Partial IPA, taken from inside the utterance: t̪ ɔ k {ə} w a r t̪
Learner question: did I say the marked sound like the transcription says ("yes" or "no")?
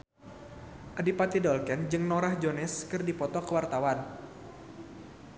yes